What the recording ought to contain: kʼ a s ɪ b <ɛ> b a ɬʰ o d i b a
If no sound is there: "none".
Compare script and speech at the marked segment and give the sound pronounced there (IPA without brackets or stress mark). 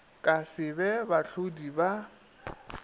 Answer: ɛ